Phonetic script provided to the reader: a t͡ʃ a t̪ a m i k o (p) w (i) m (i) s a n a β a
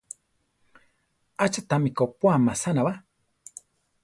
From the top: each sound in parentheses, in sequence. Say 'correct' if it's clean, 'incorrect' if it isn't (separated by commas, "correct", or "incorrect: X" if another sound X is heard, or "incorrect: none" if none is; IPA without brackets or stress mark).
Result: correct, incorrect: a, incorrect: a